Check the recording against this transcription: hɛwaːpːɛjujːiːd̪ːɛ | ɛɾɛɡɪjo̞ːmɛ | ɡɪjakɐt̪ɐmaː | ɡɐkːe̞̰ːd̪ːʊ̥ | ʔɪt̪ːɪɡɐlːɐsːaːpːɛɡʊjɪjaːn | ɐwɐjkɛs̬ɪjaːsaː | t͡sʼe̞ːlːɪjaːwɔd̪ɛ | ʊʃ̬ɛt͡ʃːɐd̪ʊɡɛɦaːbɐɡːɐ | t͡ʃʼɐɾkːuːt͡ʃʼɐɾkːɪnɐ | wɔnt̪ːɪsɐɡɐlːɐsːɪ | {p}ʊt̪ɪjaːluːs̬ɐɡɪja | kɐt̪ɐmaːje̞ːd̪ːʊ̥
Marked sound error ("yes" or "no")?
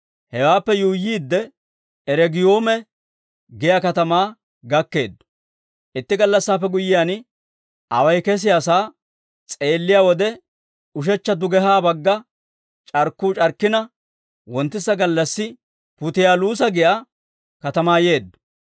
no